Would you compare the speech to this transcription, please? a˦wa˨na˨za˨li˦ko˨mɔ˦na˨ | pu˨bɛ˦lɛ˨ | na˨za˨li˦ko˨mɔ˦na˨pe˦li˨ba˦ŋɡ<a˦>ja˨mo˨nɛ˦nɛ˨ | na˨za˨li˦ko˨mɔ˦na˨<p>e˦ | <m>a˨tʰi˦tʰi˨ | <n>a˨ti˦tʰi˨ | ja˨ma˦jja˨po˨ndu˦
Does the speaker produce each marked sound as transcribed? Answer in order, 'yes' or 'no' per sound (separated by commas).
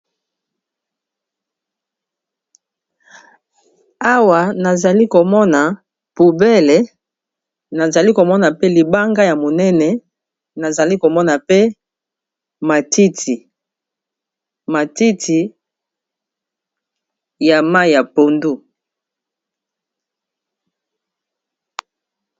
yes, yes, yes, no